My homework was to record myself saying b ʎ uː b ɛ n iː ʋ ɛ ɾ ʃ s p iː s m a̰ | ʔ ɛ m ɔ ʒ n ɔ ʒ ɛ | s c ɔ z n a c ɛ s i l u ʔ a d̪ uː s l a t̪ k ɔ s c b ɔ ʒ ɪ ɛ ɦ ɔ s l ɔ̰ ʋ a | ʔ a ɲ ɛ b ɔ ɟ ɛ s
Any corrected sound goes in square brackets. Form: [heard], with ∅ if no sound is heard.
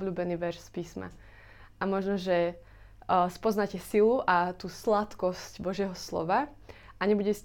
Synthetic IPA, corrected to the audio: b ʎ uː b ɛ n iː ʋ ɛ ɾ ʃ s p iː s m a̰ | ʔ [a] m ɔ ʒ n ɔ ʒ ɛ | s [p] ɔ z n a c ɛ s i l u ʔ a [t̪] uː s l a t̪ k ɔ s c b ɔ ʒ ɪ ɛ ɦ ɔ s l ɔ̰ ʋ a | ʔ a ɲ ɛ b [u] ɟ ɛ s